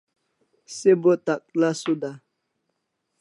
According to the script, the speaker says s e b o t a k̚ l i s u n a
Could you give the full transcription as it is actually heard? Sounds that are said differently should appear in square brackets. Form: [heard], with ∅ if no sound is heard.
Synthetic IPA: s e b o t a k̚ l [a] s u [d] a